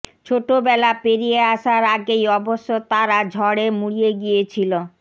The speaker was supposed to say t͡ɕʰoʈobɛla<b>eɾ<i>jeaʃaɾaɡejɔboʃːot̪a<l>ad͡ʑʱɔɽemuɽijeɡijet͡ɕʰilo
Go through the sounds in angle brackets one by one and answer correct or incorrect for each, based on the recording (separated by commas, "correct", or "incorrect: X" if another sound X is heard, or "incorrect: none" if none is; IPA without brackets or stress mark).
incorrect: p, correct, incorrect: ɾ